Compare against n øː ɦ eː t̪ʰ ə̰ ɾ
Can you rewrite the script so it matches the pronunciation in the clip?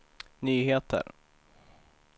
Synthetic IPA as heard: n yː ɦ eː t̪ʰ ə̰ ɾ

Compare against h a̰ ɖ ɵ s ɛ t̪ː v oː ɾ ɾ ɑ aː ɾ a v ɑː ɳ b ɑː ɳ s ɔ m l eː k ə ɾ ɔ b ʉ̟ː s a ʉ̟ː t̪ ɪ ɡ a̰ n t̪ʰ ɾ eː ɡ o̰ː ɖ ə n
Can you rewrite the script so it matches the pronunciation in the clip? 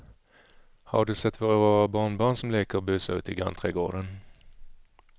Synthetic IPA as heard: h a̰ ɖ ɵ s ɛ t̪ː v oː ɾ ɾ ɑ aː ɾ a b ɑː ɳ b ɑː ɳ s ɔ m l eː k ə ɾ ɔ b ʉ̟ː s a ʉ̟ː t̪ ɪ ɡ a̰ n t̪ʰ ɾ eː ɡ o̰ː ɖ ə n

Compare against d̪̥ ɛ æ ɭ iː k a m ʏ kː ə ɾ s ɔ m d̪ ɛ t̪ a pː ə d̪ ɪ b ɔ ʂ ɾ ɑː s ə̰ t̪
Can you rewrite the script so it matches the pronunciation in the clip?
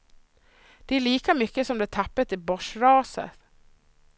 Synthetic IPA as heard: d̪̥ ɛ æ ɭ iː k a m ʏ kː ə s ɔ m d̪ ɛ t̪ʰ a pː ə t̪ ɪ b ɔ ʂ ɾ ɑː s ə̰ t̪

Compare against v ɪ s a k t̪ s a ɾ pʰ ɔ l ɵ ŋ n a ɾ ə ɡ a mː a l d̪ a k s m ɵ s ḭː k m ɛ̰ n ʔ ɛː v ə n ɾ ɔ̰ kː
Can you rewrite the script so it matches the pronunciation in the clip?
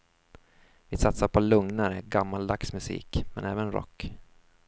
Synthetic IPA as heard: v ɪ s a t̪ s a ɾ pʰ ɔ l ɵ ŋ n a ɾ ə ɡ a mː a l d̪ a k s m ɵ s ḭː k m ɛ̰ n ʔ ɛː v ə n ɾ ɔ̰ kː

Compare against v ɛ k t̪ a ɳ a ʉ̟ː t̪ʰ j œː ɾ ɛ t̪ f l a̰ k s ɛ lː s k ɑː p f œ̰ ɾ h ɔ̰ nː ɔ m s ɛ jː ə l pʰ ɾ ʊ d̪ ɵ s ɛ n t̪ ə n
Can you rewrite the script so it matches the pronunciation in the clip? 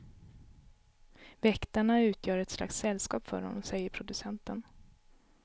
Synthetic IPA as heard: v ɛ k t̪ a ɳ a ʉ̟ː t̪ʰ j œː ɾ ɛ t̪ s l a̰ k s ɛ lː s k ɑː p f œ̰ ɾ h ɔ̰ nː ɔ m s ɛ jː ə ɾ pʰ ɾ ʊ d̪ ɵ s ɛ n t̪ ə n

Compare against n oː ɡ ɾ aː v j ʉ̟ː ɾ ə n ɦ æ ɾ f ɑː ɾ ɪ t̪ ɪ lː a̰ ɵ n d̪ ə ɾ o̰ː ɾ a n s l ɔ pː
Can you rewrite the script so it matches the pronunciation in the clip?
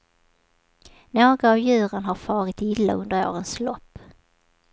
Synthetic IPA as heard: n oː ɡ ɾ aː v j ʉ̟ː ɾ ə n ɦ a ɾ f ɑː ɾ ɪ t̪ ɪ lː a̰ ɵ n d̪ ə ɾ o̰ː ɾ ə n s l ɔ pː

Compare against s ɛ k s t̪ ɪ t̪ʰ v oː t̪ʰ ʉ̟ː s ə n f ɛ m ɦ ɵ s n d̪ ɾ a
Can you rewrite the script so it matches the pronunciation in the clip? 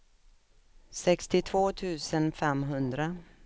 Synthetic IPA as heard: s ɛ k s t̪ ɪ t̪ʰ v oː t̪ʰ ʉ̟ː s ə n f ɛ m ɦ ɵ n d̪ ɾ a

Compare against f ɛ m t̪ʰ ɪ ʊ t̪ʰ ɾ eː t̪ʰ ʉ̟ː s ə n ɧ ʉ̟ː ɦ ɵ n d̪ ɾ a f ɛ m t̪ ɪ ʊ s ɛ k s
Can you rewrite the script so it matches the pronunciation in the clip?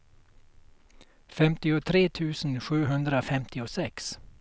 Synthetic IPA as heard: f ɛ m t̪ ɪ ʊ t̪ʰ ɾ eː t̪ʰ ʉ̟ː s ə n ɧ ʉ̟ː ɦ ɵ n d̪ ɾ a f ɛ m t̪ ɪ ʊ s ɛ k s

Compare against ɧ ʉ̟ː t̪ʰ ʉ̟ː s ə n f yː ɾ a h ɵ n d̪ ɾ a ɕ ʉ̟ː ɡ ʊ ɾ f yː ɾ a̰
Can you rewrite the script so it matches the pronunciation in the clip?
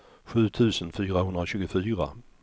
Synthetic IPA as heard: ɧ ʉ̟ː t̪ʰ ʉ̟ː s ə n f yː ɾ a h ɵ n d̪ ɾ a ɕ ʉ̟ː ɡ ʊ f yː ɾ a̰

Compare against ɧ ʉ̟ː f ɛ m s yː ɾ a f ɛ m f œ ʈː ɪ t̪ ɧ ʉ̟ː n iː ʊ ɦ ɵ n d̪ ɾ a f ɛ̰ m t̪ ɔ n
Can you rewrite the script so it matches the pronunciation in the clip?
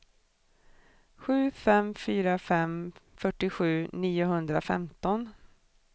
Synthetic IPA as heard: ɧ ʉ̟ː f ɛ m f yː ɾ a f ɛ m f œ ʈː ɪ ɧ ʉ̟ː n iː ʊ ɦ ɵ n d̪ ɾ a f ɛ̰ m t̪ ɔ n

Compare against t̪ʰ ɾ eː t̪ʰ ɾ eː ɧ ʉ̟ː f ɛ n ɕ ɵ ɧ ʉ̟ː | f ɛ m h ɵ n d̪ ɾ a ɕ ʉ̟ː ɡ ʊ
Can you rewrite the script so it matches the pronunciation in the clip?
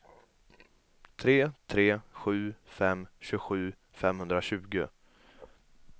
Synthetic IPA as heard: t̪ʰ ɾ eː t̪ʰ ɾ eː ɧ ʉ̟ː f ɛ m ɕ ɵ ɧ ʉ̟ː | f ɛ m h ɵ n d̪ ɾ a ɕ ʉ̟ː ɡ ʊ

